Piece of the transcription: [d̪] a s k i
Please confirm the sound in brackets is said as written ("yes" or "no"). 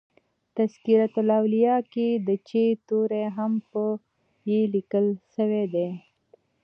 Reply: no